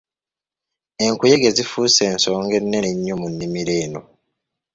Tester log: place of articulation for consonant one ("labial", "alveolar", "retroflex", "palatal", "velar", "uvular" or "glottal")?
velar